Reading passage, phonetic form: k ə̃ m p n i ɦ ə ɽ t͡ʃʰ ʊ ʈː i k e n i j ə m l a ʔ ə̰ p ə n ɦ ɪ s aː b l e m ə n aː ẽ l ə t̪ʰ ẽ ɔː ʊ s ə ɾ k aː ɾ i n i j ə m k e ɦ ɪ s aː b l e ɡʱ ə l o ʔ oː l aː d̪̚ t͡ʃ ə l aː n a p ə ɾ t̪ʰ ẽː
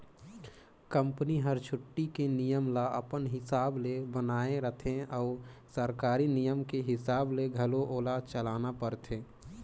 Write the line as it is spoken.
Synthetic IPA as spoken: k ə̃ m p n i ɦ ə ɾ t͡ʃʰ ʊ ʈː i k e n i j ə m l a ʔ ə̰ p ə n ɦ ɪ s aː b l e b ə n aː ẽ ɾ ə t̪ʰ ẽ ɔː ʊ s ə ɾ k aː ɾ i n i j ə m k e ɦ ɪ s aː b l e ɡʱ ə l o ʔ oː l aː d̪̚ t͡ʃ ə l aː n a p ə ɾ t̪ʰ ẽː